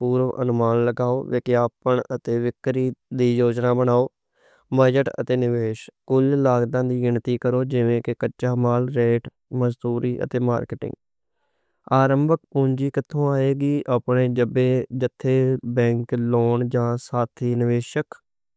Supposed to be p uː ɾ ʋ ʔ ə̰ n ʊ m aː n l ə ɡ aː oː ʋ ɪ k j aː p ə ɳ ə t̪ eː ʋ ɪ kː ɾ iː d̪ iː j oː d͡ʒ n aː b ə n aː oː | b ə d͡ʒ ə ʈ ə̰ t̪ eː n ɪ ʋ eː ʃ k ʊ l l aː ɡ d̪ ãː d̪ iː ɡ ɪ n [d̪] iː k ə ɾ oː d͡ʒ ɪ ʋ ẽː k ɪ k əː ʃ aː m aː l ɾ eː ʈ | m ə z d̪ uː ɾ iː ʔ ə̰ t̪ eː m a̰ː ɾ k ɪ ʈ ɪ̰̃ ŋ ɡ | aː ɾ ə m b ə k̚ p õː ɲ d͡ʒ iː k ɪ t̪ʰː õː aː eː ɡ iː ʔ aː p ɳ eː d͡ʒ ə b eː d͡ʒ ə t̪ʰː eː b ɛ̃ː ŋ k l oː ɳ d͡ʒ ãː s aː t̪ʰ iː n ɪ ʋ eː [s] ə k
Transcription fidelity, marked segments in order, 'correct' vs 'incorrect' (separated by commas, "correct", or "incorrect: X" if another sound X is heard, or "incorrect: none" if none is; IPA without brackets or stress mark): incorrect: t̪, incorrect: ʃ